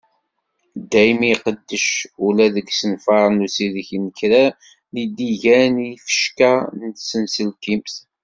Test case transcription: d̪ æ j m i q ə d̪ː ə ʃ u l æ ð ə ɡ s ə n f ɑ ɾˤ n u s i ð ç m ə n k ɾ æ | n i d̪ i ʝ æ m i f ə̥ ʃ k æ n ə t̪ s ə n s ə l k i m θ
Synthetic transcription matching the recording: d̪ æ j m i q ə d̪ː ə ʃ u l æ ð ə ɡ s ə n f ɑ ɾˤ n u s i ð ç n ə k ɾ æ | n i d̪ i ʝ æ n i f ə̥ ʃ k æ n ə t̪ s ə n s ə l k i m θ

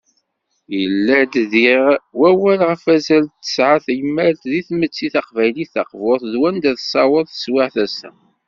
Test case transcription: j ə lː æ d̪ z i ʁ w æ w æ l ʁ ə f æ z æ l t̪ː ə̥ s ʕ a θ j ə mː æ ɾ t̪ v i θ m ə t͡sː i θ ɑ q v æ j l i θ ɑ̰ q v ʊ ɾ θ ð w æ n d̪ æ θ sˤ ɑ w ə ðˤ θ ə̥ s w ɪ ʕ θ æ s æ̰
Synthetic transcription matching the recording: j ə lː æ d̪ ð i ʁ w æ w æ l ʁ ə f æ z æ l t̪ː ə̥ s ʕ a θ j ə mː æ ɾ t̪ ð i θ m ə t͡sː i θ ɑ q v æ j l i θ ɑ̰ q v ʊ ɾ θ ð w æ n d̪ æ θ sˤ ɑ w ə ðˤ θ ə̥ s w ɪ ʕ θ æ s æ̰

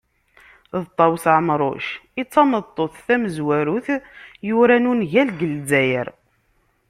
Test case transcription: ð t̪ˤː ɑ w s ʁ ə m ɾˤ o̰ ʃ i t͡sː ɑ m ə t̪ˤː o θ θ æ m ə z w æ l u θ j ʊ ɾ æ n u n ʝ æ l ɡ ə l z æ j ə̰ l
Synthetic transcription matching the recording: ð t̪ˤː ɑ w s ʕ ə m ɾˤ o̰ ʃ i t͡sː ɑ m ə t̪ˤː o θ θ æ m ə z w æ ɾ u θ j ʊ ɾ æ n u n ʝ æ l ɡ ə l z æ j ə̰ ɾ

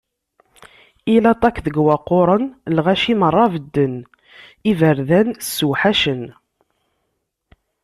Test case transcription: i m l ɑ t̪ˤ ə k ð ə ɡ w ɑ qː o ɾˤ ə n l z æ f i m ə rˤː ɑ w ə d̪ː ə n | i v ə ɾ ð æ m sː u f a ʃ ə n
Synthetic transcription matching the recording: i l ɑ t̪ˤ ɑ k ð ə ɡ w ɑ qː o ɾˤ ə n l ʁ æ ʃ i m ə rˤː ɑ v ə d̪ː ə n | i v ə ɾ ð æ n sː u ħ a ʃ ə n

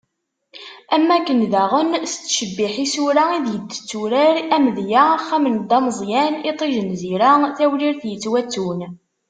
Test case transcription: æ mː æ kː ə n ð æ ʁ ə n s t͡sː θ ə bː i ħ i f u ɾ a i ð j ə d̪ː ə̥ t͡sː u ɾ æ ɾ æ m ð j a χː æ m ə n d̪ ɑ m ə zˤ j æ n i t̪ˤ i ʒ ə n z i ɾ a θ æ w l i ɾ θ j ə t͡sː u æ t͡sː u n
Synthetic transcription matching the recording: æ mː æ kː ə n ð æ ʁ ə n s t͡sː ʃ ə bː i ħ i s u ɾ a i ð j ə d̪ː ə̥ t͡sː u ɾ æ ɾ æ m ð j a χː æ m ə n d̪ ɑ m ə zˤ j æ n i t̪ˤ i ʒ ə n z i ɾ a θ æ w l i ɾ θ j ə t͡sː w æ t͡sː u n

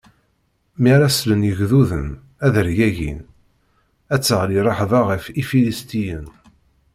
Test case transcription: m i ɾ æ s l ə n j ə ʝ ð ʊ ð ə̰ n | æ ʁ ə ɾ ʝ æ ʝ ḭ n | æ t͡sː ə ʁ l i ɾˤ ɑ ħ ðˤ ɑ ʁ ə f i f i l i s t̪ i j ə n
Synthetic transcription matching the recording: m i ɾ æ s l ə n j ə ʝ ð u ð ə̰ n | æ ð ə ɾ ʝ æ ʝ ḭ n | æ t͡sː ə ʁ l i ɾˤ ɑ ħ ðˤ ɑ ʁ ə f i f i l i s t̪ i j ə n

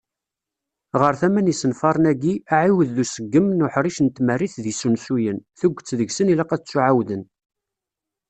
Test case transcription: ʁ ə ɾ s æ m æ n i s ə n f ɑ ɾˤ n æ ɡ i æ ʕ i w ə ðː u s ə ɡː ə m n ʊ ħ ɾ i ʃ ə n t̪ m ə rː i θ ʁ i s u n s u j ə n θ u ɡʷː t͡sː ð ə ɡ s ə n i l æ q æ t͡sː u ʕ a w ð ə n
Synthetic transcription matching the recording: ʁ ə ɾ θ æ m æ n i s ə n f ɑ ɾˤ n æ ɡ i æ ʕ i w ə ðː u s ə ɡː ə m n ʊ ħ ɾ i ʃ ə n t̪ m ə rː i θ ð i s u n s u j ə n θ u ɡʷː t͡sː ð ə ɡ s ə n i l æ q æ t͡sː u ʕ a w ð ə n

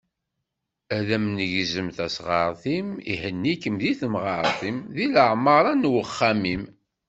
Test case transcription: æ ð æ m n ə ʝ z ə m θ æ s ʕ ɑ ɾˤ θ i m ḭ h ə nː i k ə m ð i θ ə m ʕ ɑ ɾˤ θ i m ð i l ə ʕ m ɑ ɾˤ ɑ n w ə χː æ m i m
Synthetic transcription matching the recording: æ ð æ m n ə ʝ z ə m θ æ s ʁ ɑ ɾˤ θ i m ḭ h ə nː i k ə m ð i θ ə m ʁ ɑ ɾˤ θ i m ð i l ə ʕ m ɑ ɾˤ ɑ n w ə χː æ m i m

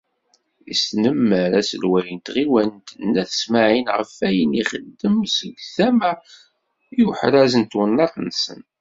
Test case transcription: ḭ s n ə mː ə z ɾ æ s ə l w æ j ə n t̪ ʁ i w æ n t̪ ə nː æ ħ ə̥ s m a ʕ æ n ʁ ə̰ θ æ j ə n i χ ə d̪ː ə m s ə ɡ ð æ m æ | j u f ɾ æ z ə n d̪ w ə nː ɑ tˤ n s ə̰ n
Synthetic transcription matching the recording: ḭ s n ə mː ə ɾ æ s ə l w æ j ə n t̪ ʁ i w æ n t̪ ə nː æ θ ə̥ s m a ʕ i n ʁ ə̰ f æ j ə n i χ ə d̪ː ə m s ə ɡ θ æ m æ | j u ħ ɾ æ z ə n t̪ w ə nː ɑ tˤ n s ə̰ n

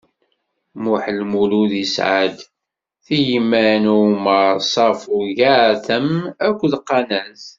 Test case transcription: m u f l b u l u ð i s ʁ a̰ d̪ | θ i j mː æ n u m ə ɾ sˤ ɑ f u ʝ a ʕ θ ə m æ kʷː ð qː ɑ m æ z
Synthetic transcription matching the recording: m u ħ l m u l u ð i s ʕ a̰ d̪ | θ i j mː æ n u m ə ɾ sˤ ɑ f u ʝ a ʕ θ ə m æ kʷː ð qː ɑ n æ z

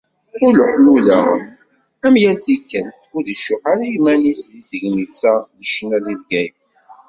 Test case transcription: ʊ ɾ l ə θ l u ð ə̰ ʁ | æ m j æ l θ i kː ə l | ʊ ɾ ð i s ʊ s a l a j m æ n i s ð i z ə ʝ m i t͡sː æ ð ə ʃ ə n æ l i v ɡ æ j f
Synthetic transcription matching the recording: ʊ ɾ l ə ħ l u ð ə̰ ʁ | æ m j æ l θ i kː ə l | ʊ ɾ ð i ʃ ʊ ħ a ɾ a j m æ n i s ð i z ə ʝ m i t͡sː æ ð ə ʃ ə n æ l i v ɡ æ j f

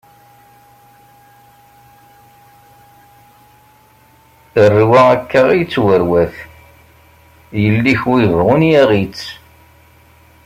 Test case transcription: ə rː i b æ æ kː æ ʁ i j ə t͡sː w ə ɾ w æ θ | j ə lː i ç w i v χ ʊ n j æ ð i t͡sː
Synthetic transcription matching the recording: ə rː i w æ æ kː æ ʁ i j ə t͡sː w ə ɾ w æ θ | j ə lː i ç w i v ʁ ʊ n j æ ʁ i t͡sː

